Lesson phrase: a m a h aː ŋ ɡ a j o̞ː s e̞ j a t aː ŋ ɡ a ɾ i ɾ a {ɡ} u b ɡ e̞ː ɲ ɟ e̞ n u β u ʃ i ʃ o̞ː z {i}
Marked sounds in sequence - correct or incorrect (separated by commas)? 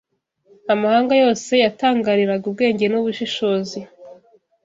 correct, correct